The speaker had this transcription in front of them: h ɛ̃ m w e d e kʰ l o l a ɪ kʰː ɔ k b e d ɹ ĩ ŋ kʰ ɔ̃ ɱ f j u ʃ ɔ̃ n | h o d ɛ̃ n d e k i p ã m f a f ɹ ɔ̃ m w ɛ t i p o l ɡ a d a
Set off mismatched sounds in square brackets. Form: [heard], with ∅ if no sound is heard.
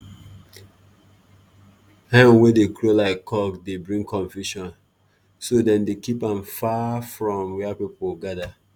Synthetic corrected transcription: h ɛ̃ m w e d e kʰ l o l a ɪ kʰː ɔ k [d] e [b] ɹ ĩ ŋ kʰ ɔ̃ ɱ f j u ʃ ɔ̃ n | [s] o d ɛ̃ n d e k i p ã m f a f ɹ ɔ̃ m w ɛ [p] i p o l ɡ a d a

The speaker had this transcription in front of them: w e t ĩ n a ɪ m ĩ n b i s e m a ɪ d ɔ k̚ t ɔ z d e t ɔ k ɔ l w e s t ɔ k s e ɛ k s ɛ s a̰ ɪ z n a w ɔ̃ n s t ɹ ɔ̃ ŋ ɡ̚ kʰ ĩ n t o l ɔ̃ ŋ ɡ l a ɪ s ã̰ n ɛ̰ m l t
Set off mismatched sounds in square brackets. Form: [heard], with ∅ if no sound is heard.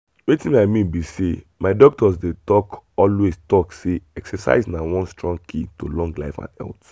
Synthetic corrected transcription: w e t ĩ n a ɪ m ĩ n b i s e m a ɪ d ɔ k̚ t ɔ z d e t ɔ k ɔ l w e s t ɔ k s e ɛ k s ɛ s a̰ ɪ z n a w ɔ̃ n s t ɹ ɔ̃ ŋ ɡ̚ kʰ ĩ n t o l ɔ̃ ŋ ɡ l a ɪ [f] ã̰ n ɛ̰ [∅] l t

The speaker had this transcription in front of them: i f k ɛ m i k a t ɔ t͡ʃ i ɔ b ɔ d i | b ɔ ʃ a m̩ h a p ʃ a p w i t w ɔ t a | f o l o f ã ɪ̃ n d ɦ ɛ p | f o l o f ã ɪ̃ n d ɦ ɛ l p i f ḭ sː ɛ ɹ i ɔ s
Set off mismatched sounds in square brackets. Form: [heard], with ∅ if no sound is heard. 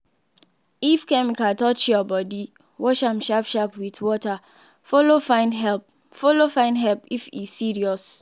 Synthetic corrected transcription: i f k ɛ m i k a t ɔ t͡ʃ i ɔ b ɔ d i | [w] ɔ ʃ a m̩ [ʃ] a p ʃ a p w i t w ɔ t a | f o l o f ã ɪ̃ n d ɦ ɛ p | f o l o f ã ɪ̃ n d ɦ ɛ l p i f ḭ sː [i] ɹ i ɔ s

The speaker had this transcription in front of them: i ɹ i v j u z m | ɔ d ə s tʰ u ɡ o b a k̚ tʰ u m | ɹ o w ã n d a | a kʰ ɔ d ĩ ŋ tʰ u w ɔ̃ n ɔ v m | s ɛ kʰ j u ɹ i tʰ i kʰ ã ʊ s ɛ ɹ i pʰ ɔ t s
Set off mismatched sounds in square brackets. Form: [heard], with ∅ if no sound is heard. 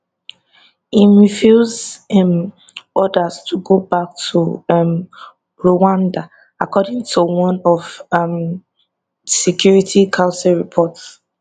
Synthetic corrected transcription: i ɹ i [f] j u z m | ɔ d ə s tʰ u ɡ o b a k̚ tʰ u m | ɹ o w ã n d a | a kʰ ɔ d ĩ ŋ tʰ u w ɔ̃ n ɔ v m | s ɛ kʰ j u ɹ i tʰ i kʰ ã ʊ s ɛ ɹ i pʰ ɔ t s

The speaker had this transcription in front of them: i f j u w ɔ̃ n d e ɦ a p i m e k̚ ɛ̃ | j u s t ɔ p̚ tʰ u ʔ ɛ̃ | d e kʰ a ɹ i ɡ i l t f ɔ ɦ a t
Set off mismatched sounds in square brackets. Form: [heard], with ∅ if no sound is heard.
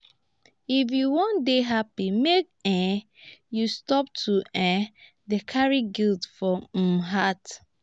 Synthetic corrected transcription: i f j u w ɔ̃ n d e ɦ a p i m e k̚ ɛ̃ | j u s t ɔ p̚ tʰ u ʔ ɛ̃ | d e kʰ a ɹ i ɡ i l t f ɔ ɦ a t

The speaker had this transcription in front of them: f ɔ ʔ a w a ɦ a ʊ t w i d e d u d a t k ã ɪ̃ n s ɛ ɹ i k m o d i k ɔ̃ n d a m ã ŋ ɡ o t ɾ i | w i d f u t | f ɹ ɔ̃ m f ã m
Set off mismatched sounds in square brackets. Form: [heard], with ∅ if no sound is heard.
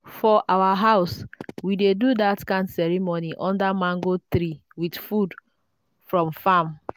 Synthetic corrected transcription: f ɔ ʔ a w a ɦ a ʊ [s] w i d e d u d a t k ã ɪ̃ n s ɛ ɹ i [∅] m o [n] i [ʔ] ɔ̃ n d a m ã ŋ ɡ o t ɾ i | w i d f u [d] | f ɹ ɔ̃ m f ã m

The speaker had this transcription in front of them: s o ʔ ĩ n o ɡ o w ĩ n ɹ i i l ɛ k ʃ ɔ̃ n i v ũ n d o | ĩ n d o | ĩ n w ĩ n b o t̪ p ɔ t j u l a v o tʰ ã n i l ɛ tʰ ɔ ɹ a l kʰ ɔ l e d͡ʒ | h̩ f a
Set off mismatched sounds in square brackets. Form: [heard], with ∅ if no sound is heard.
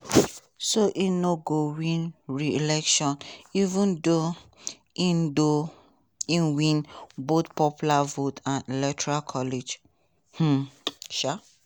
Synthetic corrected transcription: s o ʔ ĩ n o ɡ o w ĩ n ɹ i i l ɛ k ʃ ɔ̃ n i v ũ n d o | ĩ n d o | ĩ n w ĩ n b o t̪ p ɔ [p] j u l a v o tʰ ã n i l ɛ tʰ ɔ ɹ a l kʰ ɔ l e d͡ʒ | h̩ [ʃ] a

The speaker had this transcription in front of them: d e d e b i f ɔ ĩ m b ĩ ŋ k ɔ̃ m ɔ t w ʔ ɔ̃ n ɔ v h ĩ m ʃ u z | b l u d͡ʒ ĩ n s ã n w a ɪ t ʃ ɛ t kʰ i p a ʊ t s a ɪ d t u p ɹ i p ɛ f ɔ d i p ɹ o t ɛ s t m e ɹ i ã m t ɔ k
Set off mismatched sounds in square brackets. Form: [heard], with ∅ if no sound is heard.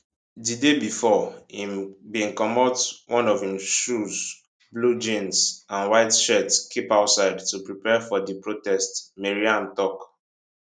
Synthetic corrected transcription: d [i] d e b i f ɔ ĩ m b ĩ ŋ k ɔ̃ m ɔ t w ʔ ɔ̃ n ɔ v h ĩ m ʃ u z | b l u d͡ʒ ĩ n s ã n w a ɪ t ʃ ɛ t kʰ i p a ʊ t s a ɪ d t u p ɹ i p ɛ f ɔ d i p ɹ o t ɛ s t m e ɹ i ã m t ɔ k

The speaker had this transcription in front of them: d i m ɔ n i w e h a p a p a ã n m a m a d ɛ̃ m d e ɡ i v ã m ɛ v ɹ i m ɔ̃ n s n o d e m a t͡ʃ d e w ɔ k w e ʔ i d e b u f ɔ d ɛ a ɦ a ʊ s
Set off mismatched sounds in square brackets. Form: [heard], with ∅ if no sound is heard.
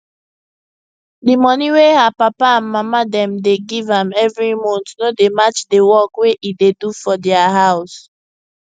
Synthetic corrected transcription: d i m ɔ n i w e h a p a p a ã n m a m a d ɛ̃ m d e ɡ i v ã m ɛ v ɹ i m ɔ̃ n [t] n o d e m a t͡ʃ d e w ɔ k w e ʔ i d e [d] u f ɔ d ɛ a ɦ a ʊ s

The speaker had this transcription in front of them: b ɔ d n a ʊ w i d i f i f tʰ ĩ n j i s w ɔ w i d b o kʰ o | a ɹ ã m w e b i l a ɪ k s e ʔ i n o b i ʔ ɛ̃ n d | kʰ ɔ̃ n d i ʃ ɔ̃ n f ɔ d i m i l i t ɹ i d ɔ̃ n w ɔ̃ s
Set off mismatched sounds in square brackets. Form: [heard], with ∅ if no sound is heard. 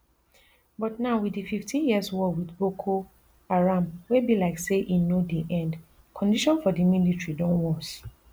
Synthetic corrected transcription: b ɔ [t] n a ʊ w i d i f i f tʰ ĩ n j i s w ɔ w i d b o kʰ o | a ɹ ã m w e b i l a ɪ k s e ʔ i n o [d] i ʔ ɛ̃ n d | kʰ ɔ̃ n d i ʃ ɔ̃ n f ɔ d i m i l i t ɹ i d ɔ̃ n w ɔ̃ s

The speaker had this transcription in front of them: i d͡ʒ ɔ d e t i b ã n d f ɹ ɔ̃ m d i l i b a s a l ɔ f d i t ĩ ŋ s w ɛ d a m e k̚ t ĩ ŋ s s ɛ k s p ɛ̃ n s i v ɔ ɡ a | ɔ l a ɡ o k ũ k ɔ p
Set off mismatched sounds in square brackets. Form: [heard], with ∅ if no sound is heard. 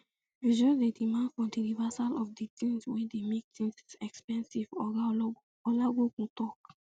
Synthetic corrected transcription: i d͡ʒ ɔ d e [d] i [m] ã n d f ɹ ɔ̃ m d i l i [v] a s a l ɔ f d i t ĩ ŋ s w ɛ d [e] m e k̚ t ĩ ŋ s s ɛ k s p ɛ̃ n s i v ɔ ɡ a | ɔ l a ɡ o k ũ [t] ɔ [k]

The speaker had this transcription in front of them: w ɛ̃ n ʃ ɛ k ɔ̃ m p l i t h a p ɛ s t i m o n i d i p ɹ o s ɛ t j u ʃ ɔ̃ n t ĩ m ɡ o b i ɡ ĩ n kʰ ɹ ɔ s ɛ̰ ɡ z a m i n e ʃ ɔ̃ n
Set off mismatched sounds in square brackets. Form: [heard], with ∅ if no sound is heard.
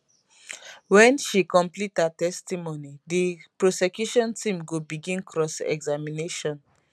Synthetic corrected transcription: w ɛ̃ n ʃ [i] k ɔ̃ m p l i t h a [t] ɛ s t i m o n i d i p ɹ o s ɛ [k] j u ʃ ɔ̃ n t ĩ m ɡ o b i ɡ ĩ n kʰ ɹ ɔ s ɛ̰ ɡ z a m i n e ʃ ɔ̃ n

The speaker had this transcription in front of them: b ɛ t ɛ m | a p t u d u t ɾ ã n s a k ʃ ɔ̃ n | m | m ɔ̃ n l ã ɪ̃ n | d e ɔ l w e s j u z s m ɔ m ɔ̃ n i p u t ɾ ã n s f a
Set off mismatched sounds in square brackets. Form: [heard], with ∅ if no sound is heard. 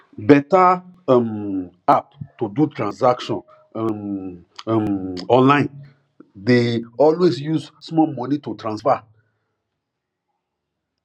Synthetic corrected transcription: b ɛ t [a] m | a p t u d u t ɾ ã n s a k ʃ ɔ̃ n | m | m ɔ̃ n l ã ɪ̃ n | d e ɔ l w e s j u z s m ɔ m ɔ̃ n i [t] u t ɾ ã n s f a

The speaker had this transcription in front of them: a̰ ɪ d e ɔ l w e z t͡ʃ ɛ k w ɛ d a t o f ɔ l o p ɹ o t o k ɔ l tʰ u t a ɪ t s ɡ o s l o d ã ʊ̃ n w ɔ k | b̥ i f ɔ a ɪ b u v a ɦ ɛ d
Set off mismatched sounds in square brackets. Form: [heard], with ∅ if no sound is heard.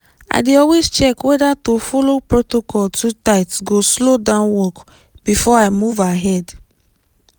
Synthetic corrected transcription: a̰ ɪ d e ɔ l w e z t͡ʃ ɛ k w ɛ d a t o f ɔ l o p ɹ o t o k ɔ l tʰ u t a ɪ t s ɡ o s l o d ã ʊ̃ n w ɔ k | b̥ i f ɔ a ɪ [m] u v a ɦ ɛ d

